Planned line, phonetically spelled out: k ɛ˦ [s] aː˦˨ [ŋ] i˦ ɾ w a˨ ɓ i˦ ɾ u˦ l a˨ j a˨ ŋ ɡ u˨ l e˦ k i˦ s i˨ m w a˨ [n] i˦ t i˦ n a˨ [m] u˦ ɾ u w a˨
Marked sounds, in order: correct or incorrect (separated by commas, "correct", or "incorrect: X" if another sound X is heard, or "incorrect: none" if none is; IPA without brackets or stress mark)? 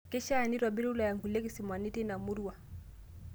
incorrect: ʃ, incorrect: n, correct, correct